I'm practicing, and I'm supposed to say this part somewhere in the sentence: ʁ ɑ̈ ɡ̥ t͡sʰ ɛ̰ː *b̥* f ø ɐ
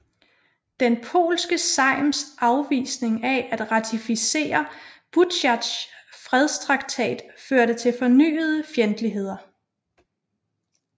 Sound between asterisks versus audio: incorrect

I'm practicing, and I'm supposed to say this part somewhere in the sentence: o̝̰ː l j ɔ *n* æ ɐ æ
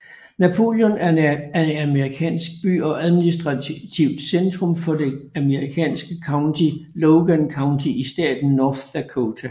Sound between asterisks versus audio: correct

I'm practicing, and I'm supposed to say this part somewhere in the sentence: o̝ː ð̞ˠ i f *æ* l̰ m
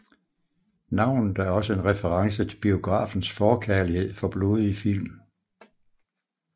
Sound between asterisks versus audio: incorrect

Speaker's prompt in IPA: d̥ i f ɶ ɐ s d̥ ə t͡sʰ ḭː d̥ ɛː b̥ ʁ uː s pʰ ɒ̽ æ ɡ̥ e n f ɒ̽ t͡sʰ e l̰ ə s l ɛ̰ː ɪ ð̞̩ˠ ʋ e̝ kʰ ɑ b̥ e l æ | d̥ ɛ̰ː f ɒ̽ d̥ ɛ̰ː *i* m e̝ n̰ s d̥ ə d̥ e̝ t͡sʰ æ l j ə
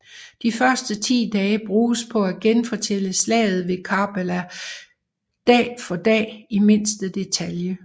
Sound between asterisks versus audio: correct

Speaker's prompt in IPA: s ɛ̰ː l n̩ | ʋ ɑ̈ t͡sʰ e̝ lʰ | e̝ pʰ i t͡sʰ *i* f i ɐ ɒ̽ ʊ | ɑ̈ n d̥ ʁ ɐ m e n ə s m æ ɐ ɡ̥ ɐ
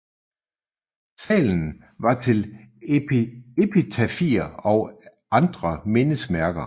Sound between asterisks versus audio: incorrect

